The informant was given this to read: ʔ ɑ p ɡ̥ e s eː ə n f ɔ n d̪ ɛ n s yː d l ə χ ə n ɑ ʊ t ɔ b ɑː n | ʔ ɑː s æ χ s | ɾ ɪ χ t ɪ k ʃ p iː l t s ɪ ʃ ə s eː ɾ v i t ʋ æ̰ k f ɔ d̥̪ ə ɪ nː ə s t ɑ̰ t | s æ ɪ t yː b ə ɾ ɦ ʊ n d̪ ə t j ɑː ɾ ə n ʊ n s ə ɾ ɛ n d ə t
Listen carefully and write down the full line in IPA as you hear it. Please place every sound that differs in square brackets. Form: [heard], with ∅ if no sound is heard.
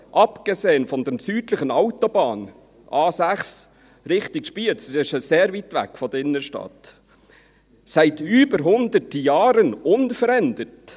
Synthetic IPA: ʔ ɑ p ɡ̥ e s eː ə n f ɔ n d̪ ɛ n s yː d l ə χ ə n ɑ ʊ t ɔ b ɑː n | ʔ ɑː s æ χ s | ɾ ɪ χ t ɪ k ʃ p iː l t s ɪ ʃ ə s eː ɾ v i t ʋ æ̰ k f ɔ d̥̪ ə ɪ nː ə [ʃ] t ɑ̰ t | s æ ɪ t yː b ə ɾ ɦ ʊ n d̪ ə t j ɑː ɾ ə n ʊ n [f] ə ɾ ɛ n d ə t